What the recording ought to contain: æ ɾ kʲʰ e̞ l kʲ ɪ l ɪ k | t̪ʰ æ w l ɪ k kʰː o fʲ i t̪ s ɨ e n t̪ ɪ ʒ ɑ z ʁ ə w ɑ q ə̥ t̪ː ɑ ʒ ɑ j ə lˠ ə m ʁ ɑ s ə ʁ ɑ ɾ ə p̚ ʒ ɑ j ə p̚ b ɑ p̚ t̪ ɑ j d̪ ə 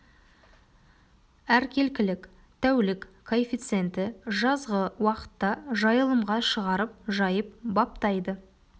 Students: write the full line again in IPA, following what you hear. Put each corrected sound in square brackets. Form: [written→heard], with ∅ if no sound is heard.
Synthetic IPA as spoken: æ ɾ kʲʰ e̞ l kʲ ɪ l ɪ k | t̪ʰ æ w l ɪ k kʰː o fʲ i t̪ s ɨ e n t̪ ɪ ʒ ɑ z ʁ ə w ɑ q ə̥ t̪ː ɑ ʒ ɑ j ə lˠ ə m ʁ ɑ [s→ʃ] ə ʁ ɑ ɾ ə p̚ ʒ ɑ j ə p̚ b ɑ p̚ t̪ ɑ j d̪ ə